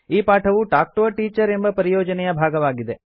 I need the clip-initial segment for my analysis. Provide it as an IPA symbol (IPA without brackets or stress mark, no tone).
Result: iː